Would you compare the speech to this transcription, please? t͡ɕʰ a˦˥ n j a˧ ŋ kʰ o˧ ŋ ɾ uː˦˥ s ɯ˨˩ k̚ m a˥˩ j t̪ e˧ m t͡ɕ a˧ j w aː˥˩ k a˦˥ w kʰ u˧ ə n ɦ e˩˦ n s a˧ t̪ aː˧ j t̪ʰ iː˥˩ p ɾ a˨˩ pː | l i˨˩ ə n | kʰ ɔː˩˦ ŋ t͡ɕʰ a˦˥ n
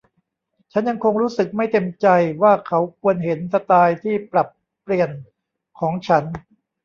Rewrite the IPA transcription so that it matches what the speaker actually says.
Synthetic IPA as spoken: t͡ɕʰ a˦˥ n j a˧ ŋ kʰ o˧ ŋ ɾ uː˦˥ s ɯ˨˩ k̚ m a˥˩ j t̪ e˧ m t͡ɕ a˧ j w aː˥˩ kʰ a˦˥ w kʰ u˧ ə n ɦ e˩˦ n s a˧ t̪ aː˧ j t̪ʰ iː˥˩ p ɾ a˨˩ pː | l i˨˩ ə n | kʰ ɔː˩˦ ŋ t͡ɕʰ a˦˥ n